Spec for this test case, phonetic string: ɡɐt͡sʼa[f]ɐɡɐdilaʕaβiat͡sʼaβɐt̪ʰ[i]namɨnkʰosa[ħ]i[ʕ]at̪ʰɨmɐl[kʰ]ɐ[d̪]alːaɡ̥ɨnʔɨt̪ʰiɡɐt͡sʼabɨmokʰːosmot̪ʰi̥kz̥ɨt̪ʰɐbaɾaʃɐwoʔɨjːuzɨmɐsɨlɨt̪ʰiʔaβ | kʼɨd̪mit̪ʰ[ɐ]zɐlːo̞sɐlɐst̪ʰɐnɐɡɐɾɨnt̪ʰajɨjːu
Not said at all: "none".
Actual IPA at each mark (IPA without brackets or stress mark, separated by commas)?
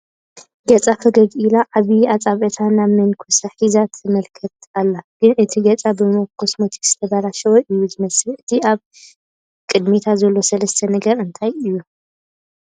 f, a, ħ, z, kʰ, t̪, a